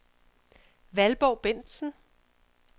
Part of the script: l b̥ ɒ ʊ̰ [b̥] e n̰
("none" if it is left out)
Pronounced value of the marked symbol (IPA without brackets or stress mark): b̥